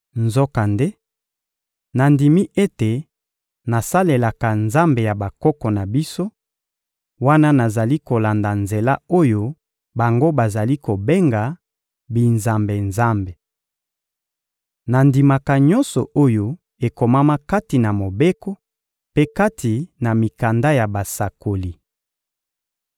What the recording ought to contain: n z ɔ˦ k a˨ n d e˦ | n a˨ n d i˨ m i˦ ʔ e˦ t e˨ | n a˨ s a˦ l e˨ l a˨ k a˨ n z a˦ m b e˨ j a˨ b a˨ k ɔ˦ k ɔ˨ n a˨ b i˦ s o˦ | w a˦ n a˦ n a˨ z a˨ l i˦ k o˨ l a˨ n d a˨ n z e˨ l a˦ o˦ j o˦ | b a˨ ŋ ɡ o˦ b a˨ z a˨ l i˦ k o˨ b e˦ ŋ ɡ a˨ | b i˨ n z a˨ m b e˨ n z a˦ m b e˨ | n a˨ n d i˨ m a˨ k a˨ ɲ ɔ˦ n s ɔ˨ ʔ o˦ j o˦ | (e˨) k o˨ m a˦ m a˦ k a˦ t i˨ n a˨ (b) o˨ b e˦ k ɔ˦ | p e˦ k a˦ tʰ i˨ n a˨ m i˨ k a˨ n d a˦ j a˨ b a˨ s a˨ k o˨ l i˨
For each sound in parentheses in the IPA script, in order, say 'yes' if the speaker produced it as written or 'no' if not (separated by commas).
yes, no